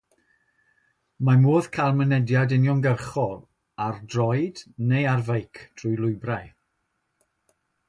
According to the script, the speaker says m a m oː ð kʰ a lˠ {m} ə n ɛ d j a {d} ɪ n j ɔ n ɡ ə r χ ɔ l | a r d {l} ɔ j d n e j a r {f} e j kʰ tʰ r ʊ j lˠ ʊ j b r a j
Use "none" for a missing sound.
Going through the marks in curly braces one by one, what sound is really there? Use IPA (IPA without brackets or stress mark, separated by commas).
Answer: m, d, r, v